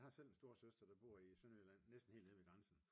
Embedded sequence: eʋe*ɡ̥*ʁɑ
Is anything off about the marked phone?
no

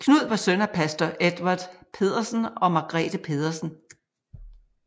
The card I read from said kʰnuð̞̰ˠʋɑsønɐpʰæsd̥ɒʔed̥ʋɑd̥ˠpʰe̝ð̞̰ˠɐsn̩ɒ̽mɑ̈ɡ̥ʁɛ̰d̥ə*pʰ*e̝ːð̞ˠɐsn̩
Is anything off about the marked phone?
no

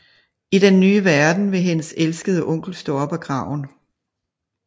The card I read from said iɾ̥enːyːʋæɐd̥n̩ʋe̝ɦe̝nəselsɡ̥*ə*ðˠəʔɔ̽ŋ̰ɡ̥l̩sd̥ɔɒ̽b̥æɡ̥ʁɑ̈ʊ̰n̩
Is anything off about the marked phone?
no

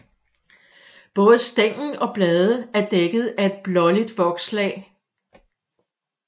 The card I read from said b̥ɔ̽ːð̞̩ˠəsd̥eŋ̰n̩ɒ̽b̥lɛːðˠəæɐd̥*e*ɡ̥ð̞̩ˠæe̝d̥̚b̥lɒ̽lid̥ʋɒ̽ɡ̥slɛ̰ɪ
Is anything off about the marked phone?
no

